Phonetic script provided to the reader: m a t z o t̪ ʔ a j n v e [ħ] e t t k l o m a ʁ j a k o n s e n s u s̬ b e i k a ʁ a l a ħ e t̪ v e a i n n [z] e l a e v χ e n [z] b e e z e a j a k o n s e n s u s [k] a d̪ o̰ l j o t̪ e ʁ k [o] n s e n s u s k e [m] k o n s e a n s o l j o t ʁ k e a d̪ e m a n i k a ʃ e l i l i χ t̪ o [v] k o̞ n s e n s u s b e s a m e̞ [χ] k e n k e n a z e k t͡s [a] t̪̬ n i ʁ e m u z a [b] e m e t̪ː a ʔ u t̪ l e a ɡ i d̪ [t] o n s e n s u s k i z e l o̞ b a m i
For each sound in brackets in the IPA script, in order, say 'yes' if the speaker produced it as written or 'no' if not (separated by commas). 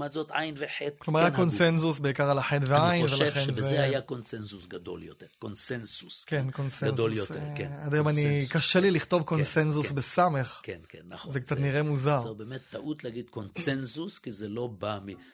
yes, no, yes, no, yes, no, yes, yes, yes, yes, no